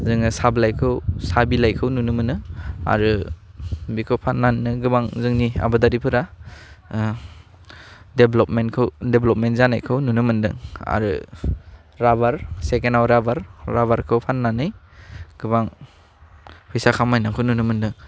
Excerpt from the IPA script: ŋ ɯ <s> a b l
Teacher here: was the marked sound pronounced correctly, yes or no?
yes